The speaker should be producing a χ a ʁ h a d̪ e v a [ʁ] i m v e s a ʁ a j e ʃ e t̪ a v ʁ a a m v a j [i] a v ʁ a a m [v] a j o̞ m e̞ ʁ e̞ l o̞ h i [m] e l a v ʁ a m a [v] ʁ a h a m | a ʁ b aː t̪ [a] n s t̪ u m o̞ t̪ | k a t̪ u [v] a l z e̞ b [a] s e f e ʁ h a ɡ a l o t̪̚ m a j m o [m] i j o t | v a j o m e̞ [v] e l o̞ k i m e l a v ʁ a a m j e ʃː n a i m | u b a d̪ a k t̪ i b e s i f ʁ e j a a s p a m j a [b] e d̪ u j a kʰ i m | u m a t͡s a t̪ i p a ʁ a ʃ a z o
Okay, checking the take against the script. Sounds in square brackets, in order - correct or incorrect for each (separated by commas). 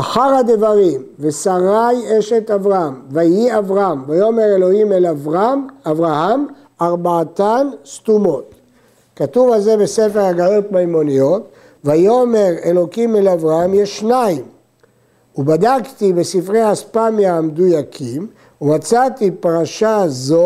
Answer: correct, correct, correct, correct, correct, correct, correct, incorrect, incorrect, incorrect, incorrect